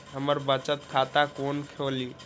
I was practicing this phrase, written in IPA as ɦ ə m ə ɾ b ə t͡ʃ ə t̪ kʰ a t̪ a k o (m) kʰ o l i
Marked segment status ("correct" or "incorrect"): incorrect